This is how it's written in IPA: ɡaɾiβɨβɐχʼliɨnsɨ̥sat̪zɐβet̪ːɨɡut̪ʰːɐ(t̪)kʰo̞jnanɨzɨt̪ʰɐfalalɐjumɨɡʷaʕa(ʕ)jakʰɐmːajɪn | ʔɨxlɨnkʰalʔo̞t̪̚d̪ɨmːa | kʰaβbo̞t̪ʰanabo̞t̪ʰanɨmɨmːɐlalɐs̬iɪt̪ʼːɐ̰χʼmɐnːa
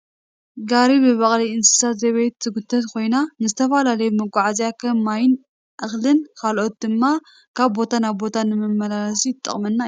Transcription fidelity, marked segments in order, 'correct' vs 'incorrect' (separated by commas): correct, incorrect